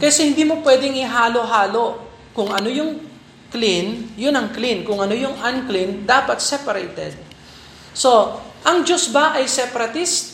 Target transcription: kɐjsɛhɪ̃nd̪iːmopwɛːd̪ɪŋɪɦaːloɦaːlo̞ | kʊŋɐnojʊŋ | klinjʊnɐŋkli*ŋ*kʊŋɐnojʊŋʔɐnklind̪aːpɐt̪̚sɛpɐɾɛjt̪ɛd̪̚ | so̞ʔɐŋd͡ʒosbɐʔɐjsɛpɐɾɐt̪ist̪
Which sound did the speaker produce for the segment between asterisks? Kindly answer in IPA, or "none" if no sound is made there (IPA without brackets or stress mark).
n